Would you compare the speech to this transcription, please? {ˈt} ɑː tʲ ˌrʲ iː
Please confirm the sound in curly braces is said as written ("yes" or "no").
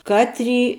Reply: no